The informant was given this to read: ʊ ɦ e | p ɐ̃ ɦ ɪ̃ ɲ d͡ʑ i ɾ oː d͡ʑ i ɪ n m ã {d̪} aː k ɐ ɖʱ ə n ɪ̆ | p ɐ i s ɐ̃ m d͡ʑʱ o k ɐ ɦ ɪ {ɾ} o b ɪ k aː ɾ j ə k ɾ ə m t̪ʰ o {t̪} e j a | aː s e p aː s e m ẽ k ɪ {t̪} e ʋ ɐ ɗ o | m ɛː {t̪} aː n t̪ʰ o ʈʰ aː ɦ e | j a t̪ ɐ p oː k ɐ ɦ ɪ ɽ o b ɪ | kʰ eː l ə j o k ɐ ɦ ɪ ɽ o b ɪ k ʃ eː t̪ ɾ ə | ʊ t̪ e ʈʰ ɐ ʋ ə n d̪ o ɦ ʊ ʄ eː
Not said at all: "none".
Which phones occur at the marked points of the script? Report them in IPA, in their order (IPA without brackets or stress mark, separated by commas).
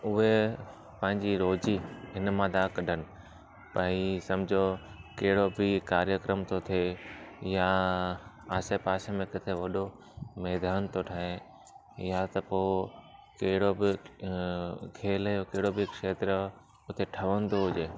d̪, ɽ, t̪ʰ, t̪ʰ, d̪